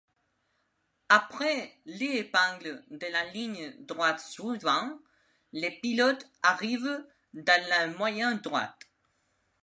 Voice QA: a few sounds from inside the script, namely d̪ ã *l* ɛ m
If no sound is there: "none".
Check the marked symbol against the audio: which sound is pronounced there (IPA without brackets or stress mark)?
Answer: l